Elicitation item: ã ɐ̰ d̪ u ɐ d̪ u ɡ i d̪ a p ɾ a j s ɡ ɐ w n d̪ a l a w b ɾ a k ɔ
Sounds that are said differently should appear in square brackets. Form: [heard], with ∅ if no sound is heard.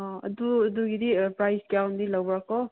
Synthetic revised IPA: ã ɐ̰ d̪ u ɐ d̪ u ɡ i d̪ [i] p ɾ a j s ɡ [a] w n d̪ [i] l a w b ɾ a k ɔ